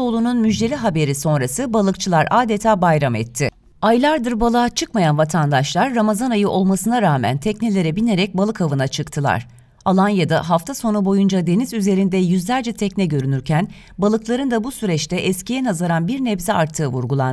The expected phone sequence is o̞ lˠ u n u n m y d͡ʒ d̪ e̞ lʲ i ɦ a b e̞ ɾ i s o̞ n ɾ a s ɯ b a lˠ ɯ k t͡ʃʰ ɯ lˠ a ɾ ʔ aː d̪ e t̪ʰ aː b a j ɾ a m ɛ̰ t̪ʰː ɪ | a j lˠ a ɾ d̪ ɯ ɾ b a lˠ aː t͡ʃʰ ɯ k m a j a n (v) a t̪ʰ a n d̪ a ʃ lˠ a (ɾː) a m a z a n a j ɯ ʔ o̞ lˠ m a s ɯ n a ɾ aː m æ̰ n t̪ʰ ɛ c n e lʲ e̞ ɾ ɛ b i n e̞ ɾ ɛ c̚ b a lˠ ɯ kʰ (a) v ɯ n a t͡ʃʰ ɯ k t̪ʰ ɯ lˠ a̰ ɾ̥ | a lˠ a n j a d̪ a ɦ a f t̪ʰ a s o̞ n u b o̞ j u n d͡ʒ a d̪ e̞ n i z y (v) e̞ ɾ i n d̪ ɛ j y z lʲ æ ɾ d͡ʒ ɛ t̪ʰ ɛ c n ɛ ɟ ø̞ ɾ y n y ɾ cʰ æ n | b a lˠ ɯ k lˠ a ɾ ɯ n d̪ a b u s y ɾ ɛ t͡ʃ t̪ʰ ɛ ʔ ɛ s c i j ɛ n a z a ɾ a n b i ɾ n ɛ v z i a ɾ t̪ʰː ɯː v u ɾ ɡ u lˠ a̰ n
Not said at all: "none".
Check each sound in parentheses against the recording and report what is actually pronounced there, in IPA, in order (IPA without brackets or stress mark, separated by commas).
v, ɾː, a, z